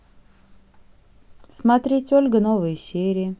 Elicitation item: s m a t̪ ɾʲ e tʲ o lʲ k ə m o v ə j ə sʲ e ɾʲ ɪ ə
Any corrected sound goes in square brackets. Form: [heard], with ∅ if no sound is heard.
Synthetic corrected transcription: s m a t̪ ɾʲ e tʲ o lʲ [ɡ] ə [n] o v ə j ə sʲ e ɾʲ ɪ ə